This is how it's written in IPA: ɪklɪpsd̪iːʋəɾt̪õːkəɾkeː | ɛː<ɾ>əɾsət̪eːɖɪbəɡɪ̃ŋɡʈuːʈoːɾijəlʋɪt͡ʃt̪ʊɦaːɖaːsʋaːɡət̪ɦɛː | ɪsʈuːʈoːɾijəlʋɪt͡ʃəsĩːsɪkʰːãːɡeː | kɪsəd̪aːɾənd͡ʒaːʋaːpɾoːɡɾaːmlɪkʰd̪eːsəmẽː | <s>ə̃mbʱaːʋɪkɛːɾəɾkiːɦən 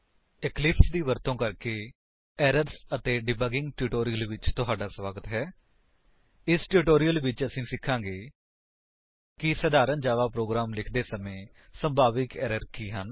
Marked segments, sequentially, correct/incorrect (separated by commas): correct, correct